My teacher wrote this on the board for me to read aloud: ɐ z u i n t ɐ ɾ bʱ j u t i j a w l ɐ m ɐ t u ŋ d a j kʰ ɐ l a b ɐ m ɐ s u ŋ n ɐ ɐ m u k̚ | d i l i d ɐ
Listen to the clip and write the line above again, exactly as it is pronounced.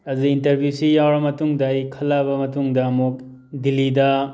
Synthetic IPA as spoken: ɐ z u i n t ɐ ɾ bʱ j u s i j a w ɾ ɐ m ɐ t u ŋ d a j kʰ ɐ l a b ɐ m ɐ t u ŋ d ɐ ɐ m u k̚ | d i l i d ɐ